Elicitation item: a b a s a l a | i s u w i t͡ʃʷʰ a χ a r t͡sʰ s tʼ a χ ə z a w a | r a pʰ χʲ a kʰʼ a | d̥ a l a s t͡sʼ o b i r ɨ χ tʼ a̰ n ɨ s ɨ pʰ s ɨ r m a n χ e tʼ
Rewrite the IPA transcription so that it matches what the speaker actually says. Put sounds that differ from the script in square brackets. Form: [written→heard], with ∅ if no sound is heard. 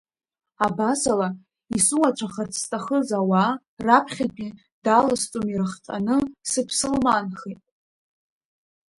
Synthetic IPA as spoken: a b a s a l a | i s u w [i→a] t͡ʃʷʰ a χ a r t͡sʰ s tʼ a χ ə z a w a | r a pʰ χʲ a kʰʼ [a→i] | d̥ a l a s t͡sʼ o [b→m] i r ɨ χ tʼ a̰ n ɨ s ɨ pʰ s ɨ [r→l] m a n χ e tʼ

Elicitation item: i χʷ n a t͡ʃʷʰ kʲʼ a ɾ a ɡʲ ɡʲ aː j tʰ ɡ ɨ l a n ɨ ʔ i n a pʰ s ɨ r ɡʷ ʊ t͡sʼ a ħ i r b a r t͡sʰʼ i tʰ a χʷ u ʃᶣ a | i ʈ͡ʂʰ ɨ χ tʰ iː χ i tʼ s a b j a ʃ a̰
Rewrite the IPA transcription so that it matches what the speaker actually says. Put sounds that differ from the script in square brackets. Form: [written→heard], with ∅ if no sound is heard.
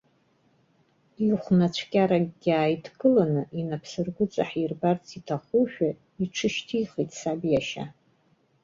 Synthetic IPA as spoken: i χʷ n a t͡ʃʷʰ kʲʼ a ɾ a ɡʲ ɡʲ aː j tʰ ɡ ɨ l a n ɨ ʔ i n a pʰ s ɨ r ɡʷ ʊ t͡sʼ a ħ i r b a r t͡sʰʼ i tʰ a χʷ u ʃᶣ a | i ʈ͡ʂʰ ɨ [χ→ʃ] tʰ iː χ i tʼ s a b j a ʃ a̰

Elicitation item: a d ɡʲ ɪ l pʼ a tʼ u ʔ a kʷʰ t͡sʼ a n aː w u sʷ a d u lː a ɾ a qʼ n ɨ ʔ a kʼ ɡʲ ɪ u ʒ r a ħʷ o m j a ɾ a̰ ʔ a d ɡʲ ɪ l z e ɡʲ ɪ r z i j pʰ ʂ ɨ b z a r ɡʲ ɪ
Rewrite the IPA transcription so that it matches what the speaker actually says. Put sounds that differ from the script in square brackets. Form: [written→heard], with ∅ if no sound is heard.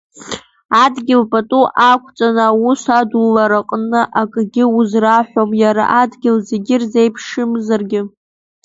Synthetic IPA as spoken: a d ɡʲ ɪ l pʼ a tʼ u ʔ a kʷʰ t͡sʼ a n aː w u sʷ a d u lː a ɾ a qʼ n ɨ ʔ a kʼ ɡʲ ɪ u [ʒ→z] r a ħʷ o m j a ɾ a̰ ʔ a d ɡʲ ɪ l z e ɡʲ ɪ r z [i→e] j pʰ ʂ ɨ [b→m] z a r ɡʲ ɪ

